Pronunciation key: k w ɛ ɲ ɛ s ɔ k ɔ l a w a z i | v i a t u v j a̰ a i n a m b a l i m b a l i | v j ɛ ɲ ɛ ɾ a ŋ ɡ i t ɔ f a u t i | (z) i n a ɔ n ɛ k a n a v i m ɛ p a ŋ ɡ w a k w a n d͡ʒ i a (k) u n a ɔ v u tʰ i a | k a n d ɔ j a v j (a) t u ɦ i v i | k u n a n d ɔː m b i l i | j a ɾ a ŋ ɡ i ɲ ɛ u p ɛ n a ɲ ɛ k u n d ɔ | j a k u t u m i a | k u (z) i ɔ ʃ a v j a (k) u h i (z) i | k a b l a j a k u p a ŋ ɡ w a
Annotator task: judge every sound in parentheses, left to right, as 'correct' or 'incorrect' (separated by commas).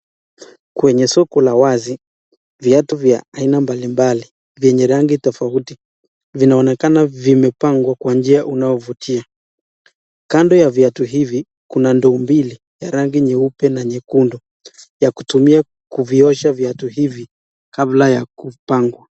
incorrect, incorrect, correct, incorrect, incorrect, incorrect